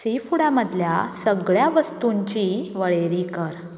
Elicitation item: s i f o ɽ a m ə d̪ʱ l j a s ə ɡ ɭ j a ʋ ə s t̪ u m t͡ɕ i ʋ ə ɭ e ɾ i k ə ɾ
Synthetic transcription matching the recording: s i f u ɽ a m ə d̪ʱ l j a s ə ɡ ɭ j a ʋ ə s t̪ u ɲ t͡ɕ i ʋ ə ɭ e ɾ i k ə ɾ